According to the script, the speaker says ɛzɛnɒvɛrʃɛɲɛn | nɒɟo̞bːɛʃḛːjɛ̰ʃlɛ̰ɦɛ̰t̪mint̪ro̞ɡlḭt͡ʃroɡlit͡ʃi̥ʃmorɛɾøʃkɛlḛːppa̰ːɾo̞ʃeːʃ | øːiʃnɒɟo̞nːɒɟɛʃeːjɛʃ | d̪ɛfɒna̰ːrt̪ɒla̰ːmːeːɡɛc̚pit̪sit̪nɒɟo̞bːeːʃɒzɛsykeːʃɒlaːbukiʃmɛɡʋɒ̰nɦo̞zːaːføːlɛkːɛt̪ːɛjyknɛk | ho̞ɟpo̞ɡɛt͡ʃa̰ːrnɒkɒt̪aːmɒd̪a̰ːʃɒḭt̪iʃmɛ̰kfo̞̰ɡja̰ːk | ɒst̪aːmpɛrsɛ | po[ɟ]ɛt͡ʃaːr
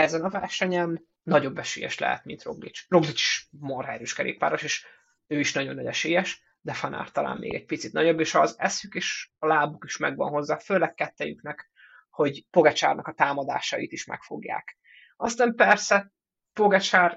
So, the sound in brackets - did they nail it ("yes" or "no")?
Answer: no